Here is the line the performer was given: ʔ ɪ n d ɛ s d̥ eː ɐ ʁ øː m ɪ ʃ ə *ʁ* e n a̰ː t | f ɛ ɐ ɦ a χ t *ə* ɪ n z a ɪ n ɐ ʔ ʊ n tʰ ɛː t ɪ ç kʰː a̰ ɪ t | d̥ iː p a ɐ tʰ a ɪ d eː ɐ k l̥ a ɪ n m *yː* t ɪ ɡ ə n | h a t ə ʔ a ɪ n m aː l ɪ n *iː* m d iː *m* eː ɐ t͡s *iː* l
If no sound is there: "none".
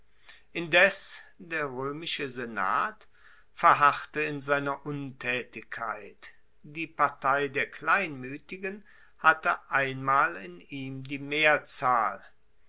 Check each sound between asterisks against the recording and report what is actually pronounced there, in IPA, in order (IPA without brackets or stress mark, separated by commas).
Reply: z, ə, yː, iː, m, aː